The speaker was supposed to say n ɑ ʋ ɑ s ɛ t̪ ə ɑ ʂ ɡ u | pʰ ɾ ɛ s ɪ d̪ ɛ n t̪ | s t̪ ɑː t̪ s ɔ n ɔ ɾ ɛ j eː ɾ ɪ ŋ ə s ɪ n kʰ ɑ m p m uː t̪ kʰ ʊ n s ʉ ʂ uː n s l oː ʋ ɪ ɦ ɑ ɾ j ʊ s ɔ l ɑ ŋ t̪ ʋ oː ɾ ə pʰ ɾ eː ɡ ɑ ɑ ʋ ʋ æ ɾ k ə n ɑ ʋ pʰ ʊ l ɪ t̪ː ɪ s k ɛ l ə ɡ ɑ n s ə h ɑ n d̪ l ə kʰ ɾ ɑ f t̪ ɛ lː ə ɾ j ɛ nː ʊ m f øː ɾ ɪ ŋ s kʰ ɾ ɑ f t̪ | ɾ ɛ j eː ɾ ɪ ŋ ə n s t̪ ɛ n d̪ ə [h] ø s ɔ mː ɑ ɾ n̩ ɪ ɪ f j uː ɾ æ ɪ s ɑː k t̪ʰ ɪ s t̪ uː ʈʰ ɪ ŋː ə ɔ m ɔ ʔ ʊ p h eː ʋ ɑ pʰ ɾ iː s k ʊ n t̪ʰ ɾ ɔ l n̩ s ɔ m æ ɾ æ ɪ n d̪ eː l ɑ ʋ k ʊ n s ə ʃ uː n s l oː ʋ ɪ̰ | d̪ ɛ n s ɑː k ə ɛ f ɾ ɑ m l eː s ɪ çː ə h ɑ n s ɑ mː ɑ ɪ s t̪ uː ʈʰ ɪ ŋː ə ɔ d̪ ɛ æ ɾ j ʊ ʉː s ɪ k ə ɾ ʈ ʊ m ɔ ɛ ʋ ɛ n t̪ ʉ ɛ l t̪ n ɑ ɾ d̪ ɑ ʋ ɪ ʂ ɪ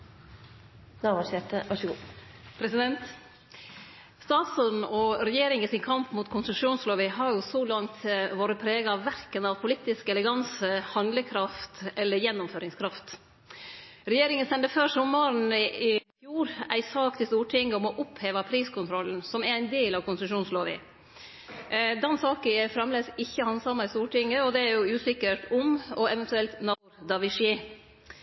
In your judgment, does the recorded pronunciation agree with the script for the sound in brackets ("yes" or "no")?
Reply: no